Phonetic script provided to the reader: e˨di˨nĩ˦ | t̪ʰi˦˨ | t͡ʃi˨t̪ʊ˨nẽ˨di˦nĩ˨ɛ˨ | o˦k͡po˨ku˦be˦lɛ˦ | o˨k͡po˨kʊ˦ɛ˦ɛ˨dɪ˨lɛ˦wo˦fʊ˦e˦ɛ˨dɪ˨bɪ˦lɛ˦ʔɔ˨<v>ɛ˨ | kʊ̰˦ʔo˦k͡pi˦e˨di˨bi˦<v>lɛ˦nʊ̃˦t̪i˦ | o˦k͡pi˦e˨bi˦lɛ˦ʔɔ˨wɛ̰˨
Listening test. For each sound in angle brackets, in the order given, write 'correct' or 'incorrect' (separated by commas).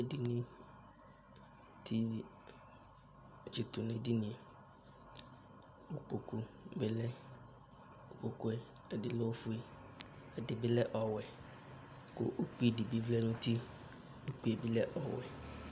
incorrect, correct